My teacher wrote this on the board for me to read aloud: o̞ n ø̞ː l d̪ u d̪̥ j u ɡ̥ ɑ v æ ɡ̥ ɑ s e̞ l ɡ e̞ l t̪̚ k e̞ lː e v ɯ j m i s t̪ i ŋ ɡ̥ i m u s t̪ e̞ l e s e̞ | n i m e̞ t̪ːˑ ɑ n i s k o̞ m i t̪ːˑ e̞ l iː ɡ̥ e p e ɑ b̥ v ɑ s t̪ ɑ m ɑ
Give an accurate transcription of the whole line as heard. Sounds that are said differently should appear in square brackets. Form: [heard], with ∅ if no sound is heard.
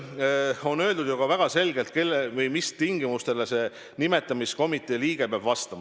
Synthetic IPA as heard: o̞ n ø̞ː l d̪ u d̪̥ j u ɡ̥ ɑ v æ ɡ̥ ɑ s e̞ l ɡ e̞ l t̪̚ k e̞ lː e v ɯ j m i s t̪ i ŋ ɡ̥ i m u s t̪ e̞ l e s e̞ | n i m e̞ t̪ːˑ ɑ [m] i s k o̞ m i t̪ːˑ e̞ l iː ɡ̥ e p e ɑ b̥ v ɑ s t̪ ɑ m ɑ